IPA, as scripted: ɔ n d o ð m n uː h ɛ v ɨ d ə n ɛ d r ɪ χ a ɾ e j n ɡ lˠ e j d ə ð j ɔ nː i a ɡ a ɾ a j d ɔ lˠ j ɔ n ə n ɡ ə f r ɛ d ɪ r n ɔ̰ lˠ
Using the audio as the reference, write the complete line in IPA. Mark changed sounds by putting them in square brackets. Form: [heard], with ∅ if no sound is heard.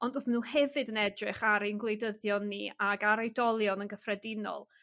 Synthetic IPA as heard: ɔ n d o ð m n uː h ɛ v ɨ d ə n ɛ d r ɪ χ a ɾ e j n ɡ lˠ e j d ə ð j ɔ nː i a ɡ a ɾ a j d ɔ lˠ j ɔ n ə n ɡ ə f r ɛ d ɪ [∅] n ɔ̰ lˠ